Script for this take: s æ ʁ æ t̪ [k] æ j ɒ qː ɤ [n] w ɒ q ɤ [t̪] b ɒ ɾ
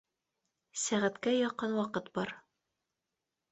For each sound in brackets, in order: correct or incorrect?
correct, correct, correct

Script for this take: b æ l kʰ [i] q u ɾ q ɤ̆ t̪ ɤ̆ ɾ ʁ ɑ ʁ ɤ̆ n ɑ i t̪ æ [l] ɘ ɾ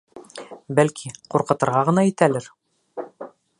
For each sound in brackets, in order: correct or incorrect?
correct, correct

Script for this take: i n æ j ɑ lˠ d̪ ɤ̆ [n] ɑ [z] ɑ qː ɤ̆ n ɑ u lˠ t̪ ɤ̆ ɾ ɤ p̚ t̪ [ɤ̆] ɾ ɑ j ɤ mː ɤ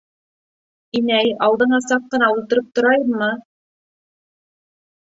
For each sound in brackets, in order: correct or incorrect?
incorrect: ɴ, incorrect: s, incorrect: ŏ

